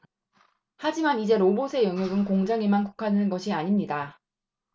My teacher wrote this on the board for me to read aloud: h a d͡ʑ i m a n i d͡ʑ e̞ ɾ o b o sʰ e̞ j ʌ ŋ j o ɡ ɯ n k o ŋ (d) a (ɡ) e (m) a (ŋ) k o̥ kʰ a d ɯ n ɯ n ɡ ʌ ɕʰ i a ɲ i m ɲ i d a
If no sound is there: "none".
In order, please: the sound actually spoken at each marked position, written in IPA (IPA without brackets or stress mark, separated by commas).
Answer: d͡ʑ, ŋ, m, n